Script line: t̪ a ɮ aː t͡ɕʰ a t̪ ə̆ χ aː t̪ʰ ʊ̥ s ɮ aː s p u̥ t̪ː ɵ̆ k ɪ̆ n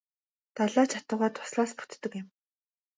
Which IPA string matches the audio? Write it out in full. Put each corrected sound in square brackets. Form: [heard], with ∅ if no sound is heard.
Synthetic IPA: t̪ a ɮ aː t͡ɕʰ a t̪ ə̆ [ʁ] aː t̪ʰ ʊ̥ s ɮ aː s p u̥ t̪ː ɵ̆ k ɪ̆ [m]